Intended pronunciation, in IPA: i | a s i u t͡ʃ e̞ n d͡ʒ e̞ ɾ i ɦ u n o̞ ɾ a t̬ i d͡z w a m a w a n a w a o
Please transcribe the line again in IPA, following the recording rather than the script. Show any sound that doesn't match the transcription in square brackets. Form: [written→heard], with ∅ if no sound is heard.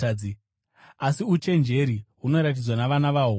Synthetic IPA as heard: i | a s i u t͡ʃ e̞ n d͡ʒ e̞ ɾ i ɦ u n o̞ ɾ a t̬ i d͡z w a [m→n] a [w→ʋ] a n a [w→ʋ] a o

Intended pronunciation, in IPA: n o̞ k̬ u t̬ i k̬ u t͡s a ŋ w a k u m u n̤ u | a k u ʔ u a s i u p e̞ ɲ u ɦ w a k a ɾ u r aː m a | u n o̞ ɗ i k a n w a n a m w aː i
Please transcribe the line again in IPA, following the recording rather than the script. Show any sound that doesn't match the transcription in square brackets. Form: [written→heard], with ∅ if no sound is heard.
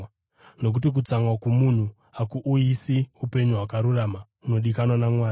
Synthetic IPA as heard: n o̞ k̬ u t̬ i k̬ u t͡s a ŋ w a k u m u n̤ u | a k u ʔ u [a→i] s i u p e̞ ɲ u ɦ w a k a ɾ u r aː m a | u n o̞ ɗ i k a n w a n a m w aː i

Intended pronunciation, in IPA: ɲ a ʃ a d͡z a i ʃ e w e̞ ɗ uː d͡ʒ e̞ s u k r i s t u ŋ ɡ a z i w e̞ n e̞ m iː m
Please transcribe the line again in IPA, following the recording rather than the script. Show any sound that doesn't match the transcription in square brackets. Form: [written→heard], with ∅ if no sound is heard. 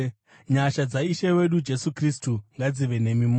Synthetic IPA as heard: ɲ a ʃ a d͡z a i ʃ e w e̞ ɗ [uː→u] d͡ʒ e̞ s u k r i s t u ŋ ɡ a [z→d͡z] i [w→ʋ] e̞ n e̞ m [iː→i] m

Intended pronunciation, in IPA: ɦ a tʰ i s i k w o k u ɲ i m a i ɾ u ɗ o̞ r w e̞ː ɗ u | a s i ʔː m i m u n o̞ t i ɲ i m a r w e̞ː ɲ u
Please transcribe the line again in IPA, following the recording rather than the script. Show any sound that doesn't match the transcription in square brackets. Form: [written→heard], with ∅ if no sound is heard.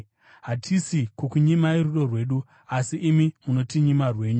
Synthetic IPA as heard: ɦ a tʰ i s i k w o k u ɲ i m a i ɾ u ɗ o̞ r w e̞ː ɗ u | a s i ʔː m i m u n o̞ t i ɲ i m a r w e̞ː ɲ u

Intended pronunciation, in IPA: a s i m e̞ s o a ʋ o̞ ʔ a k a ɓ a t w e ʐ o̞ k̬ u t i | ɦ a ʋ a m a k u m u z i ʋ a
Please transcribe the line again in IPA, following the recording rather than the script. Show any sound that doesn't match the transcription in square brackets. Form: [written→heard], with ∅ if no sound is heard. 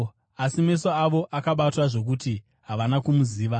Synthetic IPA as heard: a s i m e̞ s o a ʋ o̞ ʔ a k a ɓ a t w [e→a] ʐ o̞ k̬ u t i | ɦ a ʋ a [m→n] a k u m u z [i→iː] ʋ a

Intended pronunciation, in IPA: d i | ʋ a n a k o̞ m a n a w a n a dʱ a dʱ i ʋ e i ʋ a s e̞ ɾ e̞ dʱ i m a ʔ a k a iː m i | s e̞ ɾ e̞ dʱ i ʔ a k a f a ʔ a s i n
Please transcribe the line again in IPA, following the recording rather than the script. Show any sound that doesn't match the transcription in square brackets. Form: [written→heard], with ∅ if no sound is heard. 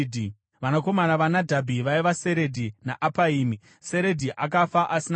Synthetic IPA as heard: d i | ʋ a n a k o̞ m a n a [w→ʋ] a n a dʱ a [dʱ→bʱ] i ʋ [e→a] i ʋ a s e̞ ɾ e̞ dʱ i [m→n] a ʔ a [k→p] a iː m i | s e̞ ɾ e̞ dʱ i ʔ a k a f a ʔ a s i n

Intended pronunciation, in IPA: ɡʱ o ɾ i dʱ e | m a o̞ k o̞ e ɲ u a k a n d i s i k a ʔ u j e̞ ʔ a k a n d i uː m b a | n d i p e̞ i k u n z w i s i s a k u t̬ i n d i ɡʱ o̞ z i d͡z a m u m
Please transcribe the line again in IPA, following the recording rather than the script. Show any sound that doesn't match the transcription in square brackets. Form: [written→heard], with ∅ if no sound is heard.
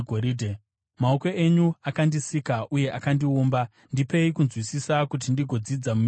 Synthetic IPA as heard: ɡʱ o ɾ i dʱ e | m a o̞ k o̞ e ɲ u a k a n d i s i k a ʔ u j e̞ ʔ a k a n d i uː m b a | n d i p e̞ i k u n z w i s i s a k u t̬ i n d i ɡʱ o̞ [z→d͡z] i d͡z a m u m

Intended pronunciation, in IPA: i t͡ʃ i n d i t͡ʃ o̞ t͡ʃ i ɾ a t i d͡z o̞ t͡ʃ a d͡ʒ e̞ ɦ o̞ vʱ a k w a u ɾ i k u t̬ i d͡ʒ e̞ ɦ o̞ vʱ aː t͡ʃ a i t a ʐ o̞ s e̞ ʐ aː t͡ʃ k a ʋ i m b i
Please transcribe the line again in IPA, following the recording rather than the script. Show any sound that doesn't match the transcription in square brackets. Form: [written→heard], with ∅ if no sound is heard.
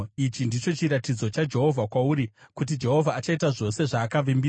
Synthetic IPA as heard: i t͡ʃ i n d i t͡ʃ o̞ t͡ʃ i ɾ a t i d͡z o̞ t͡ʃ a d͡ʒ e̞ ɦ o̞ vʱ a k w a u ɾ i k u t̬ i d͡ʒ e̞ ɦ o̞ vʱ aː t͡ʃ a i t a ʐ o̞ s e̞ ʐ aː [t͡ʃ→∅] k a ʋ i m b i

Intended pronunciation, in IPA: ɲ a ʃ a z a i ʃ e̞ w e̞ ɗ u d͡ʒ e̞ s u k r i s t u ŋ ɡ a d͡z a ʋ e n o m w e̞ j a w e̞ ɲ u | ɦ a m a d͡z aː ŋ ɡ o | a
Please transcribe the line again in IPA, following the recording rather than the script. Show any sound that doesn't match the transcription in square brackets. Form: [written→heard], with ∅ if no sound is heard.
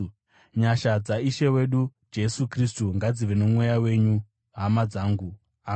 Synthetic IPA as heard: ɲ a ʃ a [z→d͡z] a i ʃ e̞ w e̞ ɗ u d͡ʒ e̞ s u k r i s t u ŋ ɡ a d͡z [a→i] ʋ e n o m w e̞ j a w e̞ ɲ u | ɦ a m a d͡z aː ŋ ɡ [o→u] | a

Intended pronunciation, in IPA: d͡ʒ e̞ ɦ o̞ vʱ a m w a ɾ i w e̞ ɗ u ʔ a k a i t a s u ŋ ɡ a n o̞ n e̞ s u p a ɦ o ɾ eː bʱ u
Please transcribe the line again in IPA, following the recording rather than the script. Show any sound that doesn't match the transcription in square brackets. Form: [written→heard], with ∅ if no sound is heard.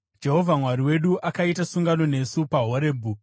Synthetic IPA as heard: d͡ʒ e̞ ɦ o̞ vʱ a m w a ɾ i w e̞ ɗ u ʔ a k a i t a s u ŋ ɡ a n o̞ n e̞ s u p a ɦ o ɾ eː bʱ u

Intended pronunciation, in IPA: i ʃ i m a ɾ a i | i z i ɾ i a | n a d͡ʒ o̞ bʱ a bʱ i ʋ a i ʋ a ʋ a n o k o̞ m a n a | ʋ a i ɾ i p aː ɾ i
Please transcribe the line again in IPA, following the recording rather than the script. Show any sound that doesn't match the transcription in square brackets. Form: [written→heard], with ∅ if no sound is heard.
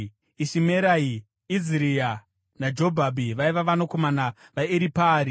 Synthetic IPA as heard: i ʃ i m [a→e] ɾ a i | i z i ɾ i a | n a d͡ʒ o̞ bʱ a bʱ i ʋ a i ʋ a ʋ a n o k o̞ m a n a | ʋ a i ɾ i p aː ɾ i

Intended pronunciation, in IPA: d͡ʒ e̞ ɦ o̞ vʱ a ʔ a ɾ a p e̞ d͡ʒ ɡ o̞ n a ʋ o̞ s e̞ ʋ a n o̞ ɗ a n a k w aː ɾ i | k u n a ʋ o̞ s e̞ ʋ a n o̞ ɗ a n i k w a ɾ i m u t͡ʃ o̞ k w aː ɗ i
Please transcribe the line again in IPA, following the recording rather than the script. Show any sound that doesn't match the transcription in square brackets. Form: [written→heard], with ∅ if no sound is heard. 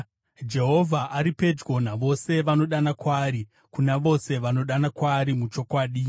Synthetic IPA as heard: d͡ʒ e̞ ɦ o̞ vʱ a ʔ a ɾ [a→i] p e̞ d͡ʒ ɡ o̞ n a ʋ o̞ s e̞ ʋ a n o̞ ɗ a n a k w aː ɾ i | k u n a ʋ o̞ s e̞ ʋ a n o̞ ɗ a n [i→a] k w a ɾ i m u t͡ʃ o̞ k w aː ɗ i

